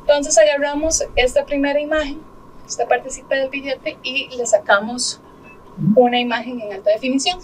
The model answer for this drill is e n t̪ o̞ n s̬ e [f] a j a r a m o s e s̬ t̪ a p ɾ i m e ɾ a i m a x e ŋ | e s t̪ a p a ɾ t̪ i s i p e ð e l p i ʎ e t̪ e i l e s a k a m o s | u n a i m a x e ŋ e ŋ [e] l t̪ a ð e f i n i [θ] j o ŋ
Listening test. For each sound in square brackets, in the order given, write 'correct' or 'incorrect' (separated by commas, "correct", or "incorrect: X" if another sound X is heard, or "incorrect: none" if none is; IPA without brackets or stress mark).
incorrect: s, incorrect: a, incorrect: s